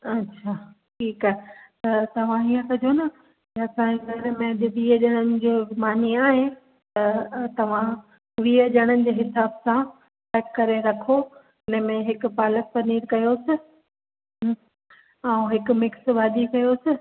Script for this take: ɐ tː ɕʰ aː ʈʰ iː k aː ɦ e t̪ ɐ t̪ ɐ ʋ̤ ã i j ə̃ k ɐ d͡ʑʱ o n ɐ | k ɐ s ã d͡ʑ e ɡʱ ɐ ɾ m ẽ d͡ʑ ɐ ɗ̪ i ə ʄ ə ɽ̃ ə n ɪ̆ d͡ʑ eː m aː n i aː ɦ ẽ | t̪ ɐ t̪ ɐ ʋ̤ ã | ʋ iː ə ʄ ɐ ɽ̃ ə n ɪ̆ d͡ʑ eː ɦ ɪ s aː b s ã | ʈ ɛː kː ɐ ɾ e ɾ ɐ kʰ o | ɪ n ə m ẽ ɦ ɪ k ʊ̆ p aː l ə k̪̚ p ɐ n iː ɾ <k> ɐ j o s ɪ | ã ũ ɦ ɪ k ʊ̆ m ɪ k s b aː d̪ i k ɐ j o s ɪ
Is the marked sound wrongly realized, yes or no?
no